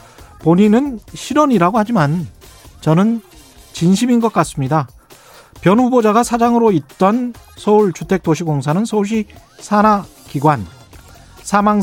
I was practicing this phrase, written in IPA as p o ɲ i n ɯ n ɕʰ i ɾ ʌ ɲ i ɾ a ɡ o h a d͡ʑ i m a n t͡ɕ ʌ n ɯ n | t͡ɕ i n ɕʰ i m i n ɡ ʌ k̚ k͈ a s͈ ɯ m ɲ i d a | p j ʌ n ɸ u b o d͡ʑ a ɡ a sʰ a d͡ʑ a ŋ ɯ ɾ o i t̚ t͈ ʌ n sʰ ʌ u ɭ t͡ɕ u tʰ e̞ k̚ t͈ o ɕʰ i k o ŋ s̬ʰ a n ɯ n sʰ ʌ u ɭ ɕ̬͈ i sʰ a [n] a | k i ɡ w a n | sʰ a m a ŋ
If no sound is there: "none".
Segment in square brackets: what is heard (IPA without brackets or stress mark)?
n